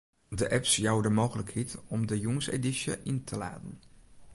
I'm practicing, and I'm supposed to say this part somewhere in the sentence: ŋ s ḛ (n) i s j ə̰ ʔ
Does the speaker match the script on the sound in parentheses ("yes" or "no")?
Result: no